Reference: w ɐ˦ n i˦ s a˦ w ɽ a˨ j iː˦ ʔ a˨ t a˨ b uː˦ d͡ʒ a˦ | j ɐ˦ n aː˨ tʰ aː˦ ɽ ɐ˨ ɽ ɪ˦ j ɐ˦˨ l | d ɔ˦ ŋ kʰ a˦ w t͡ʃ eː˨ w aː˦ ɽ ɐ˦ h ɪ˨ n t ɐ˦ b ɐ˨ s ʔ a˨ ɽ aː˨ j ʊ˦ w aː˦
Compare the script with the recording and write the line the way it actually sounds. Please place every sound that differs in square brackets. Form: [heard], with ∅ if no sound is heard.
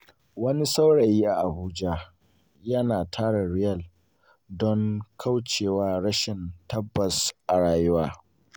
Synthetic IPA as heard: w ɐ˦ n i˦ s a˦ w ɽ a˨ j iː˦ ʔ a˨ [ʔ] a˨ b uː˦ d͡ʒ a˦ | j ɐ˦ n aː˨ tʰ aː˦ ɽ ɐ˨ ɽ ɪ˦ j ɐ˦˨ l | d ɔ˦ ŋ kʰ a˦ w t͡ʃ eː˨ w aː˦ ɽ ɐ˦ [ʃ] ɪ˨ n t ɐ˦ [bː] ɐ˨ s ʔ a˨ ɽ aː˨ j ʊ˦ w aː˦